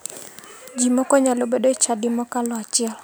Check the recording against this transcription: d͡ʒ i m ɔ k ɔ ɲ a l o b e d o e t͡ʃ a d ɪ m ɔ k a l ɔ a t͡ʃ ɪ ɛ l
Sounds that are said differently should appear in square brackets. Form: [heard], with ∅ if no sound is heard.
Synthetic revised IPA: d͡ʒ i m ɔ k ɔ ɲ a l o b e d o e t͡ʃ a d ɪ m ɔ k a l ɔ a t͡ʃ ɪ ɛ l